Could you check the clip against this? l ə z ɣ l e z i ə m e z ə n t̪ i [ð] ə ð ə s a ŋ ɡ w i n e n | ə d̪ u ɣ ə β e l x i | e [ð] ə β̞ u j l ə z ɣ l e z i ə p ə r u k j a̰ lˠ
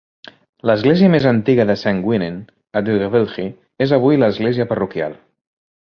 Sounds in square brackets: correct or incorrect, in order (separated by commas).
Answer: incorrect, incorrect